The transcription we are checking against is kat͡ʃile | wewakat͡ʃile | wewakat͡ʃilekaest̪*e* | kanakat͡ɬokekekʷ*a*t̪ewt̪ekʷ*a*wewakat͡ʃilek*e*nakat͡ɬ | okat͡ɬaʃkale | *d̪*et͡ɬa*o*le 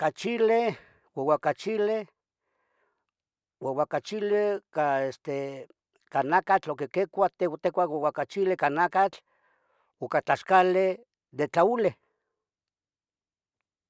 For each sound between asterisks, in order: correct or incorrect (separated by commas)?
correct, correct, correct, incorrect, correct, incorrect